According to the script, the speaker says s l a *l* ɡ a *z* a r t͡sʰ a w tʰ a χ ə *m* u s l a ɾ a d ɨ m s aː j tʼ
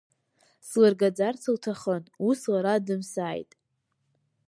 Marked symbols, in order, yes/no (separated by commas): no, no, no